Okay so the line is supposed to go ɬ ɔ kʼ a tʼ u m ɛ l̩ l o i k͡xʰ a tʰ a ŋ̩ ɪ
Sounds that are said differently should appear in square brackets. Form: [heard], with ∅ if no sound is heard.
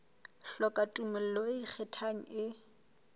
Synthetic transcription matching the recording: ɬ ɔ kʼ a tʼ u m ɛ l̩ l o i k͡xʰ [ɛ] tʰ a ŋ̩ ɪ